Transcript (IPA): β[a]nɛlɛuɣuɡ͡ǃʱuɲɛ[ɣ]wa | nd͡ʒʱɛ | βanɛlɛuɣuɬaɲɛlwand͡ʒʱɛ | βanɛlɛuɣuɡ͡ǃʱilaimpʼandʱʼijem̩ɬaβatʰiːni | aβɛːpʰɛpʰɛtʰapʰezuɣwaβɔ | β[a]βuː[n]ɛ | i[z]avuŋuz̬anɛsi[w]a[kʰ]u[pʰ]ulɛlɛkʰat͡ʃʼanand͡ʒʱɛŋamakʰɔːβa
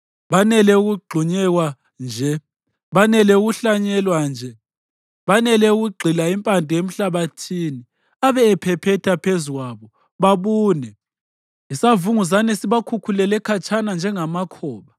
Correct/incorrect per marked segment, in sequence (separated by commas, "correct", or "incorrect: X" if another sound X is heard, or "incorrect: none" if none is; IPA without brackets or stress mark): correct, correct, correct, correct, incorrect: s, incorrect: β, correct, incorrect: kʰ